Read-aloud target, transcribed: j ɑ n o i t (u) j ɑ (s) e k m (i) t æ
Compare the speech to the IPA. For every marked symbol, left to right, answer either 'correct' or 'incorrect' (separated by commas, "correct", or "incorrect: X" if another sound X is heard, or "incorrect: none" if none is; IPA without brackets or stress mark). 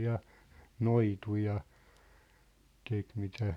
correct, incorrect: t, correct